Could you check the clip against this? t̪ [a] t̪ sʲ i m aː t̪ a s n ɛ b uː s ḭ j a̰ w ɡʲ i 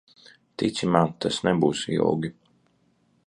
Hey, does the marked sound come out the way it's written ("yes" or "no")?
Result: no